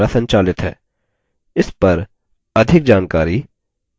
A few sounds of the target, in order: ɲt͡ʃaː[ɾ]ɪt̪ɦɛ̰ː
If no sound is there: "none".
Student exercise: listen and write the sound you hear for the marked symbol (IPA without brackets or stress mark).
l